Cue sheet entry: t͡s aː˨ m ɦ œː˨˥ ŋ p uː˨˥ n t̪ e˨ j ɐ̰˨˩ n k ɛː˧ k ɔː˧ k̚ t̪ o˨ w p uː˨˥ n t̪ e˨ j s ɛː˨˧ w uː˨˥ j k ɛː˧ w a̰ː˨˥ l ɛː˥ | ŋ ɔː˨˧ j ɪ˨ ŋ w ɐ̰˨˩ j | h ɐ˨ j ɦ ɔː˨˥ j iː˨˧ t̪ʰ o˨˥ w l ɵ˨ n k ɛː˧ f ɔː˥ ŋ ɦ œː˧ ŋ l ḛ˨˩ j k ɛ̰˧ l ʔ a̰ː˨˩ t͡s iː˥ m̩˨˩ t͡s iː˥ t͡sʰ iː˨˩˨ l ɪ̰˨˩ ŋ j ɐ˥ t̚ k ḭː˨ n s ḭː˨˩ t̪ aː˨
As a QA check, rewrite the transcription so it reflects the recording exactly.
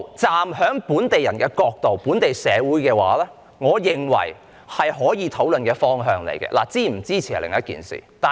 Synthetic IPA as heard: t͡s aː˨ m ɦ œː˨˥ ŋ p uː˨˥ n t̪ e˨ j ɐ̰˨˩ n k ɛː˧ k ɔː˧ k̚ t̪ o˨ w p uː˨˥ n t̪ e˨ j s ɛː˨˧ w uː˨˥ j k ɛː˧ w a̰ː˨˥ l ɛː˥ | ŋ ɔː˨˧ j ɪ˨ ŋ w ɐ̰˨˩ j | h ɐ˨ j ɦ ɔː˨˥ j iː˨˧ t̪ʰ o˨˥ w l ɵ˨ n k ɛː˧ f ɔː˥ ŋ ɦ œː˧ ŋ l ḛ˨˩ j k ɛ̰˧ l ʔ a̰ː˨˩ t͡s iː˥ m̩˨˩ t͡s iː˥ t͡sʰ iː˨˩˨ l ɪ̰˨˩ ŋ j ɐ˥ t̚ k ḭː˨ n s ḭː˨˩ t̪ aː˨